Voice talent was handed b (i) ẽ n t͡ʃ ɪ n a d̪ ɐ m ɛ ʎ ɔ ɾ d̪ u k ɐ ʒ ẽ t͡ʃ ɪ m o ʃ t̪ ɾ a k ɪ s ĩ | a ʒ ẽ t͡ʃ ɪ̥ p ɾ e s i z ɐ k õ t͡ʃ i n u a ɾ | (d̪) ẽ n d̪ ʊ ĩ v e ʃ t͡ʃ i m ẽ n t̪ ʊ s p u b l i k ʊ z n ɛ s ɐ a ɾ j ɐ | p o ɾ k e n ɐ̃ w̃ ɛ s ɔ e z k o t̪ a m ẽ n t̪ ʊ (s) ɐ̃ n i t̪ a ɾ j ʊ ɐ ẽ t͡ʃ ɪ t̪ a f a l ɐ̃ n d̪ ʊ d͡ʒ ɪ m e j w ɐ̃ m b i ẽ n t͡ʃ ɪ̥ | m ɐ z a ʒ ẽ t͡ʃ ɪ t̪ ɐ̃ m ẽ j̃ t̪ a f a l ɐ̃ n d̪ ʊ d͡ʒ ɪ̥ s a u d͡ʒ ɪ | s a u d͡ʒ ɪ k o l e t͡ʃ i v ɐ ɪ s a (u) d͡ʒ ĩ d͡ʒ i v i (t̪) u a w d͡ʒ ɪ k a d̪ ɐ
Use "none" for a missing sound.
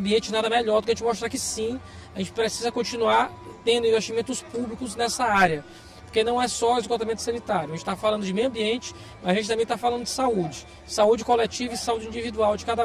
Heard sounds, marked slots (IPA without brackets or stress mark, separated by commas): i, t̪, s, u, d̪